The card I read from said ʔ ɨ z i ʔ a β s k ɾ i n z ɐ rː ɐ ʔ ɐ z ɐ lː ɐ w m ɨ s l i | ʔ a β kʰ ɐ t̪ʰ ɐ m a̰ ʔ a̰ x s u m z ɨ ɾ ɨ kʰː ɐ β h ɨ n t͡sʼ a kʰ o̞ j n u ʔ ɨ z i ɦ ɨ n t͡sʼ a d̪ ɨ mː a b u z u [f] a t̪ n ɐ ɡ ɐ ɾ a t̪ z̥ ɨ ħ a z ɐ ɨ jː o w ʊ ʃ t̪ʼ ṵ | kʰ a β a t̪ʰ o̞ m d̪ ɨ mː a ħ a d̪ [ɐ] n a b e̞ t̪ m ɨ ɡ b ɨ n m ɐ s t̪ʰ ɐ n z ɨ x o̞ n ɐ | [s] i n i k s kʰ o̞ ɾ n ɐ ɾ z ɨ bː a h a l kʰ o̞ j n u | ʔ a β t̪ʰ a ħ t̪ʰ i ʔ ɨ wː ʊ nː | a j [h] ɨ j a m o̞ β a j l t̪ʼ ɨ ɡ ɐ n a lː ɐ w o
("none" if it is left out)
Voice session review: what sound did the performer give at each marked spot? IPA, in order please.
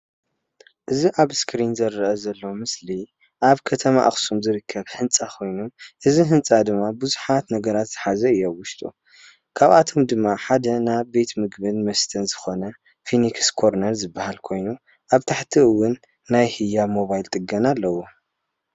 ħ, ɐ, f, h

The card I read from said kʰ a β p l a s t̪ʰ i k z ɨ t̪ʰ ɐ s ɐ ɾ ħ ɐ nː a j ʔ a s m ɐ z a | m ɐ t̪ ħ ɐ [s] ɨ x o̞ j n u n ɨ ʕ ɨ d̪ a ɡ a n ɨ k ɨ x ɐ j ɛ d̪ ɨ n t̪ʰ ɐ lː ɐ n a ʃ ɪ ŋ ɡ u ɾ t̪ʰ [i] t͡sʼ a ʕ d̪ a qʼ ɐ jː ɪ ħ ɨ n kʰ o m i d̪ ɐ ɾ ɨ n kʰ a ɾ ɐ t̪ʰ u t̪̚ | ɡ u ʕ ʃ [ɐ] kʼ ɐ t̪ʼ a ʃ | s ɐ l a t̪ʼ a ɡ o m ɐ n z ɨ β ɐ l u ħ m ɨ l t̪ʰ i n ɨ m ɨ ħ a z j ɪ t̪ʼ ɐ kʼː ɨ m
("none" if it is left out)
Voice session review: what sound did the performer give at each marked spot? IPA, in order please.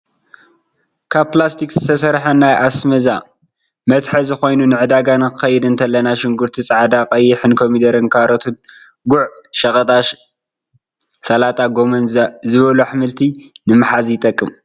z, i, ɐ

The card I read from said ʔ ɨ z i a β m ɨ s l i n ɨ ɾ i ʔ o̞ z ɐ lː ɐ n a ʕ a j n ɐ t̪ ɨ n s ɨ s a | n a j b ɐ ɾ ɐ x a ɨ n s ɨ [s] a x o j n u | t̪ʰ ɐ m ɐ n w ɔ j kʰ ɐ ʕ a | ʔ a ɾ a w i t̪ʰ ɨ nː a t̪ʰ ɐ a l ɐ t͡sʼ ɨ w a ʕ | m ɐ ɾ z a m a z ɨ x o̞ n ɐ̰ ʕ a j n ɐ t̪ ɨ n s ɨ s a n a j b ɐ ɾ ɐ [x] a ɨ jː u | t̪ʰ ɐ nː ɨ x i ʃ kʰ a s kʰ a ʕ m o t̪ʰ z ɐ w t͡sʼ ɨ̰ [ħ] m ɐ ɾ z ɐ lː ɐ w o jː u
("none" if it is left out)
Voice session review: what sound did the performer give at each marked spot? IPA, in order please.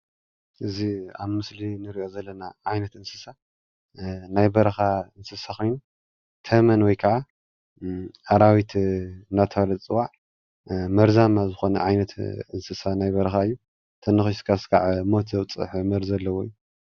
s, x, ħ

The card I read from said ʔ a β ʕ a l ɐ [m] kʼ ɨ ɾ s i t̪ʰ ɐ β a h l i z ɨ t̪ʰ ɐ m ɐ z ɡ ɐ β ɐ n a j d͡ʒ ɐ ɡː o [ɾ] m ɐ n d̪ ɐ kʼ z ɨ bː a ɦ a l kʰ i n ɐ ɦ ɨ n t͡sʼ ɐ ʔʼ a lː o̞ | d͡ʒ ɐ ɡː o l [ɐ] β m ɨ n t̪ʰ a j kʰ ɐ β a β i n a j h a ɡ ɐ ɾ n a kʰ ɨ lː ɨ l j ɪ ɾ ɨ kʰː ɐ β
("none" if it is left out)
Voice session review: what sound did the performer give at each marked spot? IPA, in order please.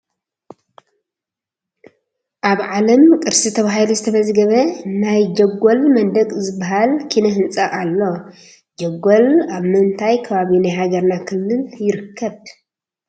m, l, a

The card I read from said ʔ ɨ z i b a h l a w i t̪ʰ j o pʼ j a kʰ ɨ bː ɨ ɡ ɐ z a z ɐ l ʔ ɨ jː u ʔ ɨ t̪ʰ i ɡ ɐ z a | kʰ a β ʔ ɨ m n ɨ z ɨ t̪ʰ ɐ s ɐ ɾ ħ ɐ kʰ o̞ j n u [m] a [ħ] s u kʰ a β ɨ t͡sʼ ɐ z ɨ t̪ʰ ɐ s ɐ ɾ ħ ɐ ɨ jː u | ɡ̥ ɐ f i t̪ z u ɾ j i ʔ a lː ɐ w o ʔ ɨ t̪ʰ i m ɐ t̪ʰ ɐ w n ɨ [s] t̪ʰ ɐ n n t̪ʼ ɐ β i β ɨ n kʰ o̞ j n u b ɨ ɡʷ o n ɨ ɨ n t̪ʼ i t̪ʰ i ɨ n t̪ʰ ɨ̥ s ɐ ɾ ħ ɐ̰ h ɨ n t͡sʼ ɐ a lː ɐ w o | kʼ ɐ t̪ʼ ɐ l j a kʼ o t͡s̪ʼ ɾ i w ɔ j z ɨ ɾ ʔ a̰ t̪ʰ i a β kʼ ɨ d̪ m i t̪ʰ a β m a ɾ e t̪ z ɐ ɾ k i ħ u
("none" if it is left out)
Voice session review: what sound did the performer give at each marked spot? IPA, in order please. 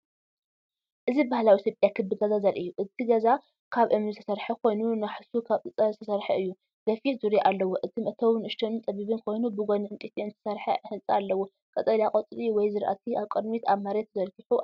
n, ħ, ʃ

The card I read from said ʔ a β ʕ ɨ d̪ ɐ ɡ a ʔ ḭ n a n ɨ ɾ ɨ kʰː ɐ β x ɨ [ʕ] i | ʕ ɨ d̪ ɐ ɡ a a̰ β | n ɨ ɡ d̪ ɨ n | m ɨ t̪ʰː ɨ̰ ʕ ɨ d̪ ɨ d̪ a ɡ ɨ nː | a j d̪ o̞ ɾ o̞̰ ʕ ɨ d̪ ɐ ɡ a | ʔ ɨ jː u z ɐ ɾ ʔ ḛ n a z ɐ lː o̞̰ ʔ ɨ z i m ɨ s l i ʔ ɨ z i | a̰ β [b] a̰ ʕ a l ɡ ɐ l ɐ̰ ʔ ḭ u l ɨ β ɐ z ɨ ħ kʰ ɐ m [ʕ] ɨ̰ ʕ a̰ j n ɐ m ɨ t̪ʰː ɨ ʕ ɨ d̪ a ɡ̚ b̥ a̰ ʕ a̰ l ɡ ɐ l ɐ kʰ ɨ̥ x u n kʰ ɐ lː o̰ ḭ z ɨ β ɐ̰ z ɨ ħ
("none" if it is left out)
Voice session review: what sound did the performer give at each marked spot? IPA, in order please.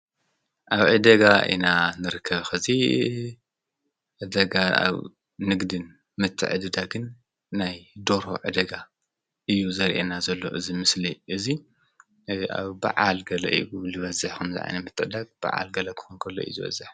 z, b, z

